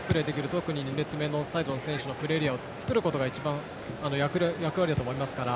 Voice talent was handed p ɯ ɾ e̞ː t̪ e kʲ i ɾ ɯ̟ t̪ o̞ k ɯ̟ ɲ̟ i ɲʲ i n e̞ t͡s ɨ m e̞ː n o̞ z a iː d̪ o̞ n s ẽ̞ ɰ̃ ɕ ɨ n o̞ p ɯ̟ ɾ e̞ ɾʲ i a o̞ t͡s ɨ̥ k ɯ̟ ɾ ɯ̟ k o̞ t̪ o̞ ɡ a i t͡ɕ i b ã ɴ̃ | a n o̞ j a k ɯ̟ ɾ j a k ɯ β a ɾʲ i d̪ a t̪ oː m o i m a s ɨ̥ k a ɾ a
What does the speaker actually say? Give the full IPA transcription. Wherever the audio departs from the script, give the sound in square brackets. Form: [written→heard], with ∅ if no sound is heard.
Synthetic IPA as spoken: p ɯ ɾ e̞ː [t̪→d̪] e kʲ i ɾ ɯ̟ t̪ o̞ k ɯ̟ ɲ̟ i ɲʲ i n e̞ t͡s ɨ m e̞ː n o̞ [z→s] a [iː→i] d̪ o̞ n s ẽ̞ ɰ̃ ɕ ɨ n o̞ p ɯ̟ ɾ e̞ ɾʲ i a o̞ t͡s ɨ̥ k ɯ̟ ɾ ɯ̟ k o̞ t̪ o̞ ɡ a i t͡ɕ i b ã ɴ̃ | a n o̞ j a k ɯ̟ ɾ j a k ɯ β a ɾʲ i d̪ a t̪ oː m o i m a s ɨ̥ k a ɾ a